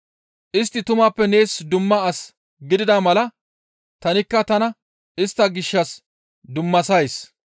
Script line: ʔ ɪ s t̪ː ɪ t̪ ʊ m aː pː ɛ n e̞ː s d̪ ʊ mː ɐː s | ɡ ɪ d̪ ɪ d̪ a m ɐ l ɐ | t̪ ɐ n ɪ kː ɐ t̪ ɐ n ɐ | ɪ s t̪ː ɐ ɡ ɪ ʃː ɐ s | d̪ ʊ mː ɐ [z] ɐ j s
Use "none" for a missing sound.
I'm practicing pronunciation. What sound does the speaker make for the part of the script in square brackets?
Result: s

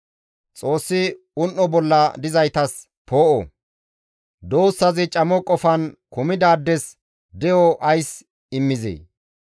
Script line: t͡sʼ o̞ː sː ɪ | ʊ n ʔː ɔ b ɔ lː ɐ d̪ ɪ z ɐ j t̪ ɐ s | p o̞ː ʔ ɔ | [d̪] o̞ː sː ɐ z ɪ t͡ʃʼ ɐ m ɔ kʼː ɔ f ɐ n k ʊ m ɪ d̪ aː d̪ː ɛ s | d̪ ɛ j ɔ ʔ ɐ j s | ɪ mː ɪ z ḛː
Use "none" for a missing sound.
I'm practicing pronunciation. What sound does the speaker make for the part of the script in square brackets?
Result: d̪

